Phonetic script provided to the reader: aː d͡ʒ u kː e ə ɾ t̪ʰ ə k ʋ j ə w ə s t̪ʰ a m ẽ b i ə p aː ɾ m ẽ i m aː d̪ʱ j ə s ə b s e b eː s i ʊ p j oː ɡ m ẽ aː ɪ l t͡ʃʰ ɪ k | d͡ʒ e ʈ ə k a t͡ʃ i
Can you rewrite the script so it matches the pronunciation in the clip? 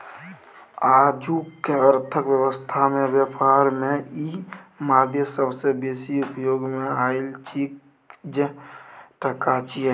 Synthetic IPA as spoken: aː d͡ʒ u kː e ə ɾ t̪ʰ ə k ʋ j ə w ə s t̪ʰ a m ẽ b j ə p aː ɾ m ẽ i m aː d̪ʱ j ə s ə b s e b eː s i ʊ p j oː ɡ m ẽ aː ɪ l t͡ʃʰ i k | d͡ʒ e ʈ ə k a t͡ʃ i